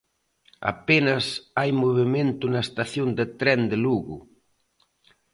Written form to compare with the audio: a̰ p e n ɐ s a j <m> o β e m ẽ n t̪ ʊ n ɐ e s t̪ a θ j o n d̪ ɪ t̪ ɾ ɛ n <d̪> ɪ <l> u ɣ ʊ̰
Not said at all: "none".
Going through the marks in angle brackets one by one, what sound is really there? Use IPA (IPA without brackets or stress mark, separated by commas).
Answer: m, d̪, l